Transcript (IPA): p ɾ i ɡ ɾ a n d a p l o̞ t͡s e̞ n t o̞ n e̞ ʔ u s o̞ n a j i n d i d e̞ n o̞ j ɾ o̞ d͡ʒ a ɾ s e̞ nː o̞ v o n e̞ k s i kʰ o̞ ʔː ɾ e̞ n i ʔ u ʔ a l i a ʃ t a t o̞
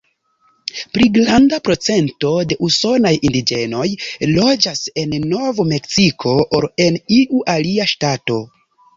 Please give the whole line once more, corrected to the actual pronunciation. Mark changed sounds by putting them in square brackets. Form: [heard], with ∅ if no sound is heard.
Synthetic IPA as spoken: p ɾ i ɡ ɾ a n d a p [ɾ] o̞ t͡s e̞ n t o̞ [d] e̞ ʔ u s o̞ n a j i n d i [d͡ʒ] e̞ n o̞ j [l] o̞ d͡ʒ a [∅] s e̞ nː o̞ v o [m] e̞ k s i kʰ o̞ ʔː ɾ e̞ n i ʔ u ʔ a l i a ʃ t a t o̞